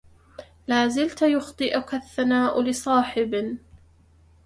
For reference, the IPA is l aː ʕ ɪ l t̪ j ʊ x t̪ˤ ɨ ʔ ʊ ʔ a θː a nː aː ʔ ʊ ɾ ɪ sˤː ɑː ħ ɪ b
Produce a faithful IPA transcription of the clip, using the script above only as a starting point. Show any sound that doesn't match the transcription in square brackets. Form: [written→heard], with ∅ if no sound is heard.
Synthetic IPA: l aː [ʕ→z] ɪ l t̪ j ʊ x t̪ˤ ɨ ʔ ʊ [ʔ→k] a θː a [nː→n] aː ʔ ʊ [ɾ→l] ɪ [sˤː→sˤ] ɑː ħ ɪ b